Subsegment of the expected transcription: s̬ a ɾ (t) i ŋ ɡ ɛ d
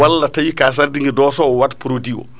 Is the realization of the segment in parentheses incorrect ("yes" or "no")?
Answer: yes